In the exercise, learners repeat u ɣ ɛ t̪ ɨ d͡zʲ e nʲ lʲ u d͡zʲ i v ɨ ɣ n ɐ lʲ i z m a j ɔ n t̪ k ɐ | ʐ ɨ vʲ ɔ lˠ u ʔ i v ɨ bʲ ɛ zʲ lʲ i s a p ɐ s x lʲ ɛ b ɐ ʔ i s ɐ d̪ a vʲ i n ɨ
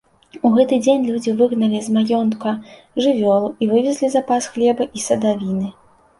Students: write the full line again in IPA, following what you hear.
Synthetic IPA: u ɣ ɛ t̪ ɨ d͡zʲ e nʲ lʲ u d͡zʲ i v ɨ ɣ n ɐ lʲ i z m a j ɔ n t̪ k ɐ | ʐ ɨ vʲ ɔ lˠ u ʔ i v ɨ vʲ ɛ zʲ lʲ i z a p a s x lʲ ɛ b ɐ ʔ i s ɐ d̪ a vʲ i n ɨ